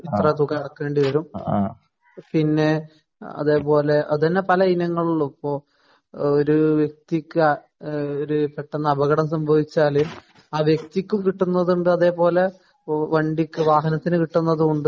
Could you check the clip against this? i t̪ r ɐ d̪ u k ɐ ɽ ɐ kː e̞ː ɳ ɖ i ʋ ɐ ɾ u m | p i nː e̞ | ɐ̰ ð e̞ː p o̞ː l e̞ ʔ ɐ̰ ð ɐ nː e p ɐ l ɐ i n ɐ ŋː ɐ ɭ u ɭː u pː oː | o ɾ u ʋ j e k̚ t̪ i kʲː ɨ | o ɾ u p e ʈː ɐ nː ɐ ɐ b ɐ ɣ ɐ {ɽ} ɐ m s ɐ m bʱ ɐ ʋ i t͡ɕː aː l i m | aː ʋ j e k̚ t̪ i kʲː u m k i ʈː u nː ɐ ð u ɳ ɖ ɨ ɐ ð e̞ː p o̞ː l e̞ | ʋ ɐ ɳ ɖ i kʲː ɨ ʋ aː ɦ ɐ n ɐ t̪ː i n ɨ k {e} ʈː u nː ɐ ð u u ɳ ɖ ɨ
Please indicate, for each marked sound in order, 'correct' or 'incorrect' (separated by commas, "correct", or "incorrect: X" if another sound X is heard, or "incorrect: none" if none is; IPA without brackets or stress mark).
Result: correct, incorrect: i